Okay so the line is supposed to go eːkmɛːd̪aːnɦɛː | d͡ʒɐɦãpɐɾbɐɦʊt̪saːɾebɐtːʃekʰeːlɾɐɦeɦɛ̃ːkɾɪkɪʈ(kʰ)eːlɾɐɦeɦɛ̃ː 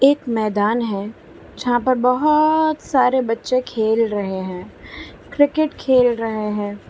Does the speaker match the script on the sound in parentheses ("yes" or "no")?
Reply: yes